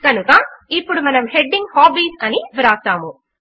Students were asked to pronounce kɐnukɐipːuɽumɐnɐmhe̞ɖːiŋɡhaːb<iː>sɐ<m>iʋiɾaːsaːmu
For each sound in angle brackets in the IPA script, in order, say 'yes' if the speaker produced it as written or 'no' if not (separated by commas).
yes, no